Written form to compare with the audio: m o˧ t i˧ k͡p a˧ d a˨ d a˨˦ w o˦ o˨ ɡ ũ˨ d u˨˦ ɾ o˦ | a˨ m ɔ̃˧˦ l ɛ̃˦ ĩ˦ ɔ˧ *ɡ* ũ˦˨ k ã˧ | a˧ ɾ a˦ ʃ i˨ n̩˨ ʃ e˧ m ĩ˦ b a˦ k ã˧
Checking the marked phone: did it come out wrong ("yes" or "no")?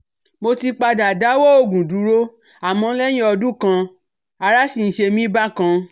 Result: yes